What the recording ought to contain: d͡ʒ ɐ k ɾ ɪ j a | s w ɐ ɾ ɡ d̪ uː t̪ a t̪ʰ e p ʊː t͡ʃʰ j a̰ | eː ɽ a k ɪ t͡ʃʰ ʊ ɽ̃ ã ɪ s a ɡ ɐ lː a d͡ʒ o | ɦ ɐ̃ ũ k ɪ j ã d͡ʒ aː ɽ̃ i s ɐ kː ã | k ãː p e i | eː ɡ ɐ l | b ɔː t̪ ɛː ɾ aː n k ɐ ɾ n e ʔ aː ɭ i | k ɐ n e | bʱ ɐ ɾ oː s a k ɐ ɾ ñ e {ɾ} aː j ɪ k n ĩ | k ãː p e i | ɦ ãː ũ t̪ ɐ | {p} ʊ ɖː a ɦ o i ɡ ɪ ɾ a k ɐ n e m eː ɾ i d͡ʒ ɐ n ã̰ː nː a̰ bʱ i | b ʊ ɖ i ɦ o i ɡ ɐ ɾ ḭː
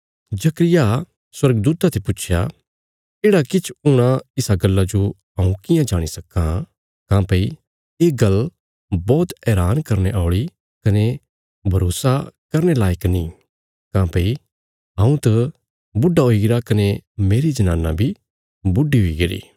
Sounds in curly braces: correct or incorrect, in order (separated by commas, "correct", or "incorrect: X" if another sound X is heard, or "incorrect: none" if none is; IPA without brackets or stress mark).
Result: incorrect: l, incorrect: b